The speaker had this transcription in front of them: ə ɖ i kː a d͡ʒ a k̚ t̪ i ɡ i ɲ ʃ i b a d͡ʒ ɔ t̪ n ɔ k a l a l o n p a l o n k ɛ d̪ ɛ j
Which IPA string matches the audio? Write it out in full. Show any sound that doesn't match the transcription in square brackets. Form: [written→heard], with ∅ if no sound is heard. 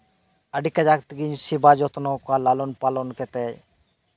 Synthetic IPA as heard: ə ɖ i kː a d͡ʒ a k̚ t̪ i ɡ i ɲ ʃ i b a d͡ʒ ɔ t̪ n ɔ k a l a l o n p a l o n k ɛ [d̪→t̪] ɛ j